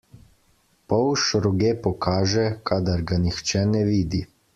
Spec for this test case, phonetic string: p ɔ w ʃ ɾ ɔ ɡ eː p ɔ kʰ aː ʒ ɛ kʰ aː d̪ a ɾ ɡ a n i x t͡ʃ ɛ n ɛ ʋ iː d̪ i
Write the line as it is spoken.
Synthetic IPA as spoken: p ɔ w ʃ ɾ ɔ ɡ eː p ɔ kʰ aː ʒ ɛ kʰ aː d̪ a ɾ ɡ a n i x t͡ʃ ɛ n ɛ ʋ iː d̪ i